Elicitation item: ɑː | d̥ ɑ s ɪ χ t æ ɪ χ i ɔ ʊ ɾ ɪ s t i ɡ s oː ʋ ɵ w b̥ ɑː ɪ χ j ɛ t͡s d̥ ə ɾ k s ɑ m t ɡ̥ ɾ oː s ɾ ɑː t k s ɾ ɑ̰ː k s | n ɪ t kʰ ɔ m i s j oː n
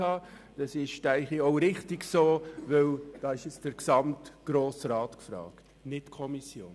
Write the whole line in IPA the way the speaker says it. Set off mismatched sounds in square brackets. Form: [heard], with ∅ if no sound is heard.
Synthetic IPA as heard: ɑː | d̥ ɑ s ɪ [ʃ] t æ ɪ χ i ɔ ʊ ɾ ɪ [χ] t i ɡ s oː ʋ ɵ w [d̥] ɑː ɪ [ʃ] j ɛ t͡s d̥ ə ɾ k s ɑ m t ɡ̥ ɾ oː s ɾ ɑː t k [f] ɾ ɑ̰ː k [t] | n ɪ t kʰ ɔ m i s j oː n